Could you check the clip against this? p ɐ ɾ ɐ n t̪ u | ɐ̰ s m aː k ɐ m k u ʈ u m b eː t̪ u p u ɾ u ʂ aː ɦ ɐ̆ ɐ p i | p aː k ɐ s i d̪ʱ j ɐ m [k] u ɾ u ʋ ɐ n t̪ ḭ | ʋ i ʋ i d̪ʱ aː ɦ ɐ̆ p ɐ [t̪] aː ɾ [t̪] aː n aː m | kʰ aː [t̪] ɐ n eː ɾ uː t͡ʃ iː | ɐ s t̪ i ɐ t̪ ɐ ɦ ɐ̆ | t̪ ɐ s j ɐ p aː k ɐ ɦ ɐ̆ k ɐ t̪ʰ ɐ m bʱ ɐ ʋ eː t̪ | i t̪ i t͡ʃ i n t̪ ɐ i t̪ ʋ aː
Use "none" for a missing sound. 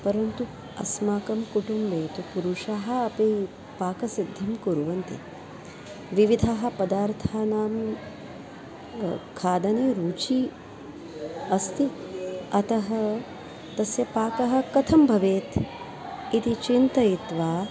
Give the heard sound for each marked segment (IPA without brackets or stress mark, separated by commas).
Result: k, d̪, t̪ʰ, d̪